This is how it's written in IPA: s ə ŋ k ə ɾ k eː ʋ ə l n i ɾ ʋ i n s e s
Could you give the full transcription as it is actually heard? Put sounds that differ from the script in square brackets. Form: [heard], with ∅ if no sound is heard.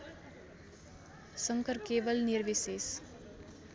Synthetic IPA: s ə ŋ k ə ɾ k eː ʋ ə l n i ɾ ʋ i [∅] s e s